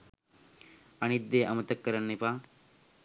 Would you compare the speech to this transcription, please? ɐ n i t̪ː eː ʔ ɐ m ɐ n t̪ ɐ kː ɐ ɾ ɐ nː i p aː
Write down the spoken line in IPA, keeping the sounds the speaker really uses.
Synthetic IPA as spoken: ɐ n i d̪ː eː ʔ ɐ m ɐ t̪ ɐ kː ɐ ɾ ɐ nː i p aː